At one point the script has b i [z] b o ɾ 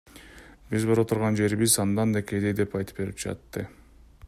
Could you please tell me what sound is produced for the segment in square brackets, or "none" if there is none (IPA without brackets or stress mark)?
z